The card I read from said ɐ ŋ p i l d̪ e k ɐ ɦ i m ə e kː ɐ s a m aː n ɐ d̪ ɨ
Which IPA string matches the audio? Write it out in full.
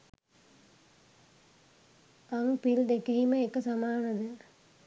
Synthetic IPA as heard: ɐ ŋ p i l d̪ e k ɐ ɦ i m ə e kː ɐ s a m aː n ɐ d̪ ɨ